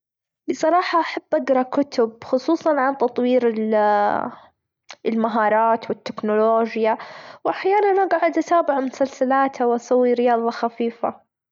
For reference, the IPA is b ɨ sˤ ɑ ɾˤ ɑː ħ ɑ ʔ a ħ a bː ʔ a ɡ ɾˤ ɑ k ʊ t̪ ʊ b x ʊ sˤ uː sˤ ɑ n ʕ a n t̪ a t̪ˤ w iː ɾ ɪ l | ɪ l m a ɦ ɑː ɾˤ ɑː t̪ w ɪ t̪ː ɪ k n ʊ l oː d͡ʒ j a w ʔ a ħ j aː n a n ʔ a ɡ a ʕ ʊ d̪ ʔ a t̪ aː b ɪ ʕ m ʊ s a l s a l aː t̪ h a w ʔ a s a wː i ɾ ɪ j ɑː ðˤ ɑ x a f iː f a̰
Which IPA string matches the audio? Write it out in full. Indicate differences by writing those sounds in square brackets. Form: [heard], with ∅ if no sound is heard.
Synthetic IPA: b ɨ sˤ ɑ ɾˤ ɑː ħ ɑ ʔ a ħ a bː ʔ a ɡ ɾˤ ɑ k ʊ t̪ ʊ b x ʊ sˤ uː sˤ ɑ n ʕ a n t̪ [ɑ] t̪ˤ w iː ɾ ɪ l | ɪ l m a ɦ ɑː ɾˤ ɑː t̪ w ɪ t̪ː ɪ k n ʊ l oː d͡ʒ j a w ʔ a ħ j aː n a n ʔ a ɡ a ʕ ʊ d̪ ʔ a t̪ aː b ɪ ʕ m ʊ s a l s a l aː t̪ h a w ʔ a s a wː i ɾ ɪ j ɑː ðˤ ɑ x a f iː f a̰